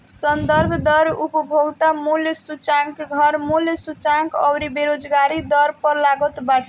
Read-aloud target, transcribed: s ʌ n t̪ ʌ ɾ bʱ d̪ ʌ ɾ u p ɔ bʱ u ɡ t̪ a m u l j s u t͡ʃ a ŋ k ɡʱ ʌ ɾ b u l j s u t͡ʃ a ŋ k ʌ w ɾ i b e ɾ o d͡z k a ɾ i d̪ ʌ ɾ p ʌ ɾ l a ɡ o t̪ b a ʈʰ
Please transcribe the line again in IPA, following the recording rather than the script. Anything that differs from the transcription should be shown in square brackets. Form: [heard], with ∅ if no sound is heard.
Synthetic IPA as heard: s ʌ n [d̪] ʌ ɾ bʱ d̪ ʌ ɾ u p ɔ bʱ [o] ɡ t̪ a m u l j s u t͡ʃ a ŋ k ɡʱ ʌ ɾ [m] u l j s u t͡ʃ a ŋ k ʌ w ɾ i b e ɾ o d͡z [ɡ] a ɾ i d̪ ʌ ɾ p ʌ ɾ l a ɡ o t̪ b a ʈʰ

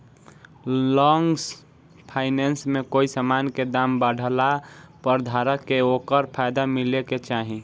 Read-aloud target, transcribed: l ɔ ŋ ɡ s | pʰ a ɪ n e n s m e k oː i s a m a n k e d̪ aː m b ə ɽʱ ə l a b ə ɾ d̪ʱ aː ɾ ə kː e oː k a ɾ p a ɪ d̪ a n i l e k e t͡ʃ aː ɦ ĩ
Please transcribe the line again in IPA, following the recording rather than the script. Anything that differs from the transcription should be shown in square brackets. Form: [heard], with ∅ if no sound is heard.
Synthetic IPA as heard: l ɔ ŋ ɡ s | pʰ a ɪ n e n s m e k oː i s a m a n k e d̪ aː m b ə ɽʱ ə l a [p] ə ɾ d̪ʱ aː ɾ ə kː e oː k [ə] ɾ [pʰ] a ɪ d̪ a [m] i l e k e t͡ʃ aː ɦ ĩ

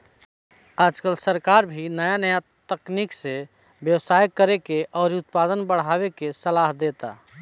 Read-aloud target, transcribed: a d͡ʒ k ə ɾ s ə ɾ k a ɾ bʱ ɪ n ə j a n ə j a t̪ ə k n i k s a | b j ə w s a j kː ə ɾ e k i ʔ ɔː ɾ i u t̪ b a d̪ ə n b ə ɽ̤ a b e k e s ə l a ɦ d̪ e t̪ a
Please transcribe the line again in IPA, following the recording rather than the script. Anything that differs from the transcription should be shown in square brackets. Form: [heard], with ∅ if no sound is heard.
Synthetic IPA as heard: a d͡ʒ k ə [l] s ə ɾ k a ɾ bʱ [i] n ə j a n ə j a t̪ ə k n i k s [e] | b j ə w s a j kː ə ɾ e k [e] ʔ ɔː ɾ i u t̪ [p] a d̪ ə n b ə ɽ̤ a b e k e s ə l a ɦ d̪ e t̪ a

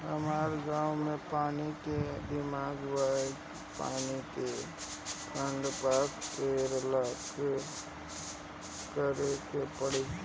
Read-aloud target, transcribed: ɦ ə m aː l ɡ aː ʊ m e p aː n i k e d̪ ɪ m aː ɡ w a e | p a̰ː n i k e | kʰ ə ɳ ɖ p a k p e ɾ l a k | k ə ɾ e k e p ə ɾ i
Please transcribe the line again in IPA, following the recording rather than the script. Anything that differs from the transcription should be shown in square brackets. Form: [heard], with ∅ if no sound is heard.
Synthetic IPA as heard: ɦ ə m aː [ɾ] ɡ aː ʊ m e p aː n i k e d̪ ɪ m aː ɡ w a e | p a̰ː n i k e | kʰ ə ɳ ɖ p a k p e ɾ l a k | k ə ɾ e k e p ə [ɽ] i

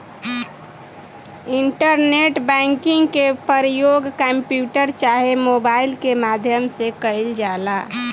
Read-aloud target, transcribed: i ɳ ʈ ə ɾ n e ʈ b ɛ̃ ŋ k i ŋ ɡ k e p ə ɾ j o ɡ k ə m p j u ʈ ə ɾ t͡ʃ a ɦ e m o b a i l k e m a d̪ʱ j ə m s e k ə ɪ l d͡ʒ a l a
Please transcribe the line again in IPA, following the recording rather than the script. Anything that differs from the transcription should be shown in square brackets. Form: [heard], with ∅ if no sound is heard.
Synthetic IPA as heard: i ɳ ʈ ə ɾ n e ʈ b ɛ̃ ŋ k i ŋ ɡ k e p ə ɾ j o ɡ k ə m p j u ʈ ə ɾ t͡ʃ a ɦ e m o b a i l k e m a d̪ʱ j ə m s e k ə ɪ l d͡ʒ a l a

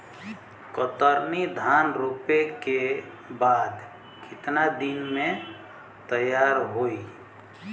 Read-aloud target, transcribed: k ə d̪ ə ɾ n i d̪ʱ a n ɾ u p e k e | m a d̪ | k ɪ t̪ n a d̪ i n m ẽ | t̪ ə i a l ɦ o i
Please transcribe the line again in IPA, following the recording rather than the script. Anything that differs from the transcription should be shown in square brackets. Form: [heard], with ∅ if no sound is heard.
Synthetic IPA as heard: k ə [t̪] ə ɾ n i d̪ʱ a n ɾ u p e k e | [b] a d̪ | k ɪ t̪ n a d̪ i n m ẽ | t̪ ə [j] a [ɾ] ɦ o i

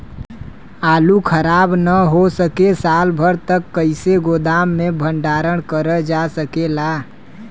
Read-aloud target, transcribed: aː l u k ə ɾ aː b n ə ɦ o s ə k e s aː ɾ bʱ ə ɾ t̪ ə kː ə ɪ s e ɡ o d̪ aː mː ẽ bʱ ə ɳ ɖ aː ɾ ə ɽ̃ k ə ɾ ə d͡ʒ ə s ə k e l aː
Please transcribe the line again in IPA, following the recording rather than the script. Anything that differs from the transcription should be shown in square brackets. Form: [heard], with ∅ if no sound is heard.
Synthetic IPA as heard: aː l u [kʰ] ə ɾ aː b n ə ɦ o s ə k e s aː [l] bʱ ə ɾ t̪ ə kː ə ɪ s e ɡ o d̪ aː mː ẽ bʱ ə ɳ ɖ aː ɾ ə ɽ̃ k ə ɾ ə d͡ʒ [a] s ə k e l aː

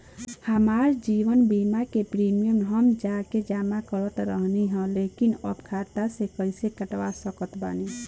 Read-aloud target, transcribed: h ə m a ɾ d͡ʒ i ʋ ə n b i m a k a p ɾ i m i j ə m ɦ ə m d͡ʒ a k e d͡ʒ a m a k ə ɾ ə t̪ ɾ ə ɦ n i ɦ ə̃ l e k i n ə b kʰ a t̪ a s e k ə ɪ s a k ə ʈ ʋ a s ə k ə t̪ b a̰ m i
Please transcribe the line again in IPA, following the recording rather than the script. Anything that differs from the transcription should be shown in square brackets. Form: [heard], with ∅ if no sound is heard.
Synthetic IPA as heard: h ə m a ɾ d͡ʒ i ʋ ə n b i m a k [e] p ɾ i m i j ə m ɦ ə m d͡ʒ a k e d͡ʒ a m a k ə ɾ ə t̪ ɾ ə ɦ n i ɦ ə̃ l e k i n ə b kʰ a t̪ a s e k ə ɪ s [e] k ə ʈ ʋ a s ə k ə t̪ b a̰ [n] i

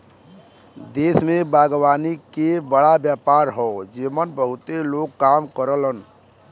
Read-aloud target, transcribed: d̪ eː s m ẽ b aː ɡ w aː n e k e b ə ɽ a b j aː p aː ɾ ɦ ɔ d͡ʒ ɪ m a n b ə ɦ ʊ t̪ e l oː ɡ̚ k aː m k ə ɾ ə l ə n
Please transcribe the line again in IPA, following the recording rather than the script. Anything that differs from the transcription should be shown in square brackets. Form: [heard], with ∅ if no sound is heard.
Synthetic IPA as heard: d̪ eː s m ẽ b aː ɡ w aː n [i] k e b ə ɽ a b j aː p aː ɾ ɦ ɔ d͡ʒ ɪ m [ə] n b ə ɦ ʊ t̪ e l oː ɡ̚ k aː m k ə ɾ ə l ə n

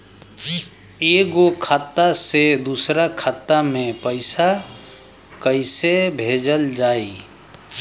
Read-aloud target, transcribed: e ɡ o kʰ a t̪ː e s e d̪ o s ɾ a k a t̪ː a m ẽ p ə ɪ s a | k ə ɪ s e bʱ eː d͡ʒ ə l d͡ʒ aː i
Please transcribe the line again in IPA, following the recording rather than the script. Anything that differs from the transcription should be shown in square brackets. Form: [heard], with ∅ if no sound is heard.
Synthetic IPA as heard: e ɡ o kʰ a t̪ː [a] s e d̪ [u] s ɾ a [kʰ] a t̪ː a m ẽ p ə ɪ s a | k ə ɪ s e bʱ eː d͡ʒ ə l d͡ʒ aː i

